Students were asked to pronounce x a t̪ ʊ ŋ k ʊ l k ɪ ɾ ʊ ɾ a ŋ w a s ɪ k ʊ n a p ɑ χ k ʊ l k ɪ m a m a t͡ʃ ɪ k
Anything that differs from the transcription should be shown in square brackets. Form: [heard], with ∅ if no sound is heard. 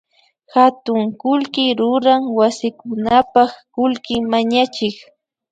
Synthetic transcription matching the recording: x a t̪ ʊ ŋ k ʊ l k ɪ ɾ ʊ ɾ a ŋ w a s ɪ k ʊ n a p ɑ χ k ʊ l k ɪ m a [ɲ] a t͡ʃ ɪ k